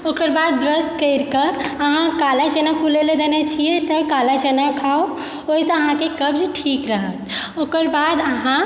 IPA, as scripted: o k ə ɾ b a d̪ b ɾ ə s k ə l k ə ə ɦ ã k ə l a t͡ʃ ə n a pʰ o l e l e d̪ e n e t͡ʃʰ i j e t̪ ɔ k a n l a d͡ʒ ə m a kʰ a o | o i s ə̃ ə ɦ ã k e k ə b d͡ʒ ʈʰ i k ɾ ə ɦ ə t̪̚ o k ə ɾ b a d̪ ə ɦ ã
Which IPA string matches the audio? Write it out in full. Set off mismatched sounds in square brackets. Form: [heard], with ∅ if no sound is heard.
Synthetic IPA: o k ə ɾ b a d̪ b ɾ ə s k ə [ɾ] k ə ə ɦ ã k [a] l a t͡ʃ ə n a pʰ [u] l e l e d̪ e n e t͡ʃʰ i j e t̪ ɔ k a [∅] l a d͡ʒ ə [n] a kʰ a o | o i s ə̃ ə ɦ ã k e k ə b d͡ʒ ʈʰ i k ɾ ə ɦ ə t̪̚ o k ə ɾ b a d̪ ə ɦ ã